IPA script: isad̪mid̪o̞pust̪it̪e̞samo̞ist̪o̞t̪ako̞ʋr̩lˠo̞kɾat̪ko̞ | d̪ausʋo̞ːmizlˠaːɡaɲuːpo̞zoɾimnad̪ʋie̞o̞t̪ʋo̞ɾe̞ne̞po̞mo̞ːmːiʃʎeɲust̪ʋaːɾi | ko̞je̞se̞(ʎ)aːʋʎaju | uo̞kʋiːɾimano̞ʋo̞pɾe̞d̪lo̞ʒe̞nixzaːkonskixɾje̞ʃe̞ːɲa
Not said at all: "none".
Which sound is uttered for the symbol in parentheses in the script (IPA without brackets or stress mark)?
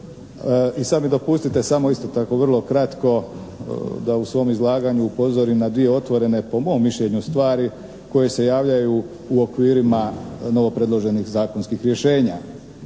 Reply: j